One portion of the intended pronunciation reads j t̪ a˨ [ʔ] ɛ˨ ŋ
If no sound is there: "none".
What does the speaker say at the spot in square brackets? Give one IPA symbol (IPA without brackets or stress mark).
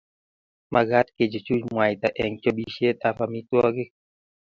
ʔ